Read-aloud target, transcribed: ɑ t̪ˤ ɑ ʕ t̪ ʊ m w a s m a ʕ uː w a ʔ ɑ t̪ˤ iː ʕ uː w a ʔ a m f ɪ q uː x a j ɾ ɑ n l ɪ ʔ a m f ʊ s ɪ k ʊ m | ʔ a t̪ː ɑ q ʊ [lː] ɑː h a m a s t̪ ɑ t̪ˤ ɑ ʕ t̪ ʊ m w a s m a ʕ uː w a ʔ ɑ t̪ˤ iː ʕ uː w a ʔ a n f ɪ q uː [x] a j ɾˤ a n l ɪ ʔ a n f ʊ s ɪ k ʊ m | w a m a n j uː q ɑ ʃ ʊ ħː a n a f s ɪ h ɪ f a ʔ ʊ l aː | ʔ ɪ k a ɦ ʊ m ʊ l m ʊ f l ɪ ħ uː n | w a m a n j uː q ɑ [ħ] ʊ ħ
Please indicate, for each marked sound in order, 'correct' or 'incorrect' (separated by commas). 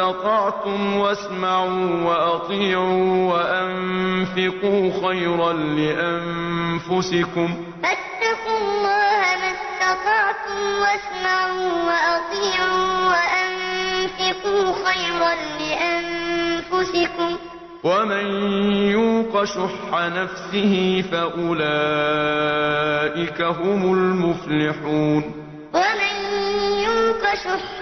correct, correct, incorrect